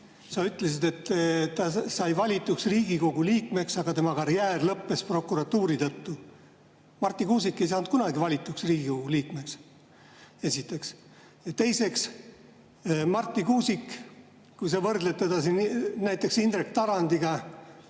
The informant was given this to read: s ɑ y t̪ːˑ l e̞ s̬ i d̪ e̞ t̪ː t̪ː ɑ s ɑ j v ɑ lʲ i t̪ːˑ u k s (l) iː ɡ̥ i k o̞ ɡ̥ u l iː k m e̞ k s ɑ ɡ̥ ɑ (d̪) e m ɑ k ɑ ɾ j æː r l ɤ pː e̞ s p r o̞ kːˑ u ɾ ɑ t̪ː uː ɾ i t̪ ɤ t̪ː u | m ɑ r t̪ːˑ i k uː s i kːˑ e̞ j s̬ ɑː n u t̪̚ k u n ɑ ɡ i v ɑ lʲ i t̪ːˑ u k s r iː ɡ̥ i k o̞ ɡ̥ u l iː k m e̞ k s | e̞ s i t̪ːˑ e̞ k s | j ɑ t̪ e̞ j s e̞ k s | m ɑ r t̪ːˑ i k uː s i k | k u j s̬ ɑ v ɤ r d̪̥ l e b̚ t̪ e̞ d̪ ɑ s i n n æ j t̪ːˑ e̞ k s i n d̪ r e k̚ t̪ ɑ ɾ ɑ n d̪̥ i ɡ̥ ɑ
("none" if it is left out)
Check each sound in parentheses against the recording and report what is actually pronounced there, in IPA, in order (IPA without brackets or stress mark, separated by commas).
r, t̪